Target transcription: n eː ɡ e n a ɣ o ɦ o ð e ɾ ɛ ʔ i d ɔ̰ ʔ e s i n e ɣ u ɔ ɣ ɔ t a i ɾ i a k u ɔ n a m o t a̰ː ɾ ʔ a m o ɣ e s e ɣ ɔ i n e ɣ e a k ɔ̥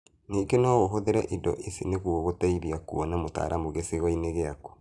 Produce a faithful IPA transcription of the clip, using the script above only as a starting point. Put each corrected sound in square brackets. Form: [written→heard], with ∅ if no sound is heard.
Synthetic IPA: n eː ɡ e n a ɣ o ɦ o ð e ɾ ɛ ʔ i d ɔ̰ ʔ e s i n e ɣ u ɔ ɣ [ɔ→o] t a i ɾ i a k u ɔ n a m o t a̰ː ɾ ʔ a m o ɣ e s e ɣ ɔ i n e ɣ e a k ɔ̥